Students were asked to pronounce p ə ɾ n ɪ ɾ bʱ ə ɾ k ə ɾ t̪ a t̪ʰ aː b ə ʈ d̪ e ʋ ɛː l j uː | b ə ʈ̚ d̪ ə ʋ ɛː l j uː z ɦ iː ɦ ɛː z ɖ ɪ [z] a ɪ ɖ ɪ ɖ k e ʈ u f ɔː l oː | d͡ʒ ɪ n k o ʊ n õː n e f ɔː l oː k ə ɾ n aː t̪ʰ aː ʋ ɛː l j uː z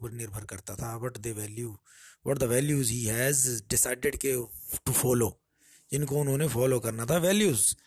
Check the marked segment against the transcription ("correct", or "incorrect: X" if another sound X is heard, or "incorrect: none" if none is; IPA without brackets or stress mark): incorrect: s